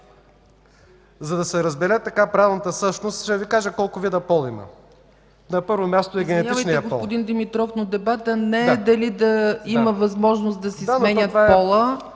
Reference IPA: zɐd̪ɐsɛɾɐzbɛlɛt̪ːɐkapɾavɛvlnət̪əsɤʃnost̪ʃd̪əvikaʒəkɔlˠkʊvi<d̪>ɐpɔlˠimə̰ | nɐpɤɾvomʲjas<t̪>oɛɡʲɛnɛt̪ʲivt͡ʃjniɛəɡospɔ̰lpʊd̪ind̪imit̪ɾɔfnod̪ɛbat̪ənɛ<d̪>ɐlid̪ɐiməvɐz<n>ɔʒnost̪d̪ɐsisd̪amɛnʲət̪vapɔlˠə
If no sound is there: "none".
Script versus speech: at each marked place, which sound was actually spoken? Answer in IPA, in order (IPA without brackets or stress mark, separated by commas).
d̪, t̪, d̪, m